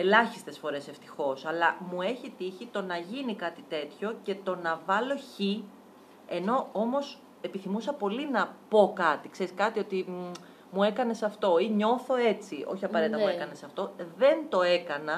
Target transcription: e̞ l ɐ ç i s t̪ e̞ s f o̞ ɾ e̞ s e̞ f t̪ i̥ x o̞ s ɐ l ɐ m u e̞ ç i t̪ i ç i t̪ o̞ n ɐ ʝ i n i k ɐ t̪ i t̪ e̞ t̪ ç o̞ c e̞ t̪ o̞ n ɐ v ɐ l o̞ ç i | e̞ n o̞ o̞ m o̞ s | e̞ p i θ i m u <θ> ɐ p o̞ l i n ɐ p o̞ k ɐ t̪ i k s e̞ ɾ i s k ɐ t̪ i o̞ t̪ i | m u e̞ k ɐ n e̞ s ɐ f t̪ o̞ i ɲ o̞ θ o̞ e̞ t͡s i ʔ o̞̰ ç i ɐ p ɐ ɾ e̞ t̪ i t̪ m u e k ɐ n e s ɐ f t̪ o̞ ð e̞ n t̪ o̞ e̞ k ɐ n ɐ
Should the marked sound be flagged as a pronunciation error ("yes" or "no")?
yes